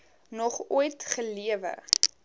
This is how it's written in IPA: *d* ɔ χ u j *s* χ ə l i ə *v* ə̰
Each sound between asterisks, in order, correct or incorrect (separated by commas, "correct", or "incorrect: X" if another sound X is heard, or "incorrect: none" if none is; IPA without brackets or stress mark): incorrect: n, incorrect: t, correct